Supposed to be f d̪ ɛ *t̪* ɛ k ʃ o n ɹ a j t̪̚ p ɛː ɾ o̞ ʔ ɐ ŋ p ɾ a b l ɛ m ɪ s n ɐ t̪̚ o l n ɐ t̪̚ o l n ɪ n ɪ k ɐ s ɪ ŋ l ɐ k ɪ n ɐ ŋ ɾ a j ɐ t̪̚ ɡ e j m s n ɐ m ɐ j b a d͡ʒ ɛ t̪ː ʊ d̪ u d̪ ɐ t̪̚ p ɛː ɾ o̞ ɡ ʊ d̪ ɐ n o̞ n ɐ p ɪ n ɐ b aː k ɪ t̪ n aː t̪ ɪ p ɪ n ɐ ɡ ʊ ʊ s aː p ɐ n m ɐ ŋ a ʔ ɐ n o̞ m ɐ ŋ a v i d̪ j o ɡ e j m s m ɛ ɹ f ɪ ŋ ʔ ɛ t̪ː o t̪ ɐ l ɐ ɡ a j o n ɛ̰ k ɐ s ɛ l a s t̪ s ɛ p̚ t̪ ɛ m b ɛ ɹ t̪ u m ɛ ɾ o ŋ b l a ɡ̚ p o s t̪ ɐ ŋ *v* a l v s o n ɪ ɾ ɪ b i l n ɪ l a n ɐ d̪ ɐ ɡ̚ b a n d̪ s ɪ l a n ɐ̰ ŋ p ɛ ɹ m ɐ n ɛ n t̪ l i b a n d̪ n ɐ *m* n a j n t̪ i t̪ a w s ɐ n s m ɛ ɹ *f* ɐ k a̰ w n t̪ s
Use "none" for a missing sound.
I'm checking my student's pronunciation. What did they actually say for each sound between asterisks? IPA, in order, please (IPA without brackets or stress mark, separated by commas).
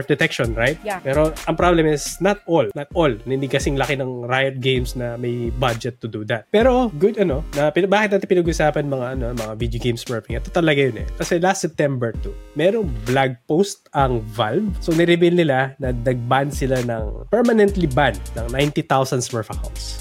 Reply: t̪, v, ŋ, f